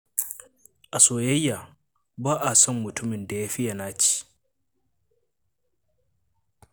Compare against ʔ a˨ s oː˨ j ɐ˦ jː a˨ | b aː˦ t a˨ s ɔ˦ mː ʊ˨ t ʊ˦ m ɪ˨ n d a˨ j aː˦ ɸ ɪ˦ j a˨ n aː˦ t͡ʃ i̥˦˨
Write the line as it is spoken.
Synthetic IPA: ʔ a˨ s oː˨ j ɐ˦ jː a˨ | b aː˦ ʔ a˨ s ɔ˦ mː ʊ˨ t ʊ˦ m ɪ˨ n d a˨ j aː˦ ɸ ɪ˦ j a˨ n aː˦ t͡ʃ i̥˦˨

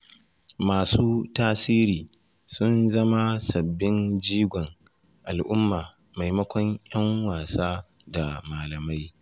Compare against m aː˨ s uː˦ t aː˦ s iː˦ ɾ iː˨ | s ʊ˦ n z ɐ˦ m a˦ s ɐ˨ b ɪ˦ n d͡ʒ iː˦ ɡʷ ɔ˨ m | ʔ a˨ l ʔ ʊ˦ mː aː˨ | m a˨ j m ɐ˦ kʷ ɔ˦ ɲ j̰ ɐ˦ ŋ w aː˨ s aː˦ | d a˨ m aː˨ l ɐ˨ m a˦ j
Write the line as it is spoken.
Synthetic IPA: m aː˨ s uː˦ t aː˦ s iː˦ ɾ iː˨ | s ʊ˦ n z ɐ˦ m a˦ s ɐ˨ bː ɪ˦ n d͡ʒ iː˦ ɡʷ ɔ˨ ŋ | ʔ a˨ l ʔ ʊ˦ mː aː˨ | m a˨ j m ɐ˦ kʷ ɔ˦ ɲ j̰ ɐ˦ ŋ w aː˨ s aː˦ | d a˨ m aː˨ l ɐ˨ m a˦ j

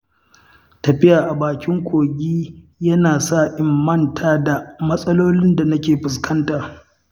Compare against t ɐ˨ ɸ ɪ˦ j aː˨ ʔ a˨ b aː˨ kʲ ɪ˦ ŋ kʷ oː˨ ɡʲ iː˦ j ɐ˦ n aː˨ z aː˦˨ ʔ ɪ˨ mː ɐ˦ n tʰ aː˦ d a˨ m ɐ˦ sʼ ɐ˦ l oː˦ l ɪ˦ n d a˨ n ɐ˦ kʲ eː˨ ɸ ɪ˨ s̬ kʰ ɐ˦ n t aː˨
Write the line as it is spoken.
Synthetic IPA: t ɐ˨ ɸ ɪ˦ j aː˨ ʔ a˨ b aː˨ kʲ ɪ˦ ŋ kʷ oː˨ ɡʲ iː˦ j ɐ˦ n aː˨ s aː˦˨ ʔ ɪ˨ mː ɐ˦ n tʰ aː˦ d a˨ m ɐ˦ sʼ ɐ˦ l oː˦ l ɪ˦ n d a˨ n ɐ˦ kʲ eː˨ ɸ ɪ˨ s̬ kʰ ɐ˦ n t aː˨

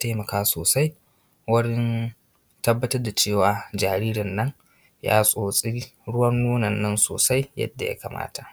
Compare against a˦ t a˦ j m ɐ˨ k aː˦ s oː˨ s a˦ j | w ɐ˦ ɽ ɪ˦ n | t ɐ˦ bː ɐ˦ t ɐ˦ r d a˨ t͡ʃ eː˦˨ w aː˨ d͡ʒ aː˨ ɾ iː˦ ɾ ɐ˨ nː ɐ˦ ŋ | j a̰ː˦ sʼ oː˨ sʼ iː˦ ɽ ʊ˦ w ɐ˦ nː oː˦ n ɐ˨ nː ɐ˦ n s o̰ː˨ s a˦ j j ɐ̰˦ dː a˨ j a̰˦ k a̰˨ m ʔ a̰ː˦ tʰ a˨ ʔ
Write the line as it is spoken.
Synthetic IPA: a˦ t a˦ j m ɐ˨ k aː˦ s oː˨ s a˦ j | w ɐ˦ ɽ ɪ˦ n | t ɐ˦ bː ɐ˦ t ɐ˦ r d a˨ t͡ʃ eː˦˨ w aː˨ d͡ʒ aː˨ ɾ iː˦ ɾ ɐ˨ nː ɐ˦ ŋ | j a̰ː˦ sʼ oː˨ sʼ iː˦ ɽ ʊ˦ w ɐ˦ nː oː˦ n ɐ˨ nː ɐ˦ n s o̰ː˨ s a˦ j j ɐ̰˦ dː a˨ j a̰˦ k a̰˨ m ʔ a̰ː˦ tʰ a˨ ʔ

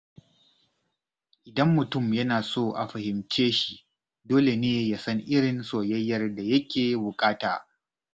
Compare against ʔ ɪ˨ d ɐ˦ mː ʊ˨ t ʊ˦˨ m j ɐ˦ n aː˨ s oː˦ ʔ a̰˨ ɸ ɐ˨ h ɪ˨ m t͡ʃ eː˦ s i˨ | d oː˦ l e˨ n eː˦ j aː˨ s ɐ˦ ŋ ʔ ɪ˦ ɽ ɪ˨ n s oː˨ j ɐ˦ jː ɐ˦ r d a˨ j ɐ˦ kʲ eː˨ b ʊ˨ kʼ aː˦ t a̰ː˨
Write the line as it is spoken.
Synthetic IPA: ʔ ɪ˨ d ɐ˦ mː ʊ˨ t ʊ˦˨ m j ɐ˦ n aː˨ s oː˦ ʔ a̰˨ ɸ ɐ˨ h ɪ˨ m t͡ʃ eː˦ ʃ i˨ | d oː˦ l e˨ n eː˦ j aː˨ s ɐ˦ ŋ ʔ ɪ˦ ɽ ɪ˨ n s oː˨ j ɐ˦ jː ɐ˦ r d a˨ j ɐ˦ kʲ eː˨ b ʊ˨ kʼ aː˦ t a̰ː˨

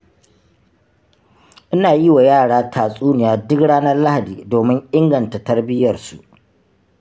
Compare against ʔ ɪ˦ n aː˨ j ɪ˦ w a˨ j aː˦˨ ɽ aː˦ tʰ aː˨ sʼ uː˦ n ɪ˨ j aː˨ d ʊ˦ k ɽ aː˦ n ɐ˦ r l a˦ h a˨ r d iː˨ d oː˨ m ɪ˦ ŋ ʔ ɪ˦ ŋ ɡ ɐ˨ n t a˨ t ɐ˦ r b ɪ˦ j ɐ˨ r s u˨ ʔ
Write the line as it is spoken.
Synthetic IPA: ʔ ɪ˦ n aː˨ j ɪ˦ w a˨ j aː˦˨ ɽ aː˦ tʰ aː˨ sʼ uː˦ n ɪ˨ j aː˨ d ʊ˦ k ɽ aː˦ n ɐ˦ r l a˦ h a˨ d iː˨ d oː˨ m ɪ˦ ŋ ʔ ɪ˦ ŋ ɡ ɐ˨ n t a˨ t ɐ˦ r b ɪ˦ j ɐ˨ r s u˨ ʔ

